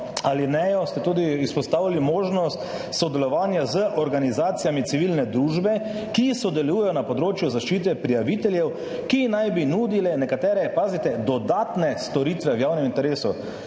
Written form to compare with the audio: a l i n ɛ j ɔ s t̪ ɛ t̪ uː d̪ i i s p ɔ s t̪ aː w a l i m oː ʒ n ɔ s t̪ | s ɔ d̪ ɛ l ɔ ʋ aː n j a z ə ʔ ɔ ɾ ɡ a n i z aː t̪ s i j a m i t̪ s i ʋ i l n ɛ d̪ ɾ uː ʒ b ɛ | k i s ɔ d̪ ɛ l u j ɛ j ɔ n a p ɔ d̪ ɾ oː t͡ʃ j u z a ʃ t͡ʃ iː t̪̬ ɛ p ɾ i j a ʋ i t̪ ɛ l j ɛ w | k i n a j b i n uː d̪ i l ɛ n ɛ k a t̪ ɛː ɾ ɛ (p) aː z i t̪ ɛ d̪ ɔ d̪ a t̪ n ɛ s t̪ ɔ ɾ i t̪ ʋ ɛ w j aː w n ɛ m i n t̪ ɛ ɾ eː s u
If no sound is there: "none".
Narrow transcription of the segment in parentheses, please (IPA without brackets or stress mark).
p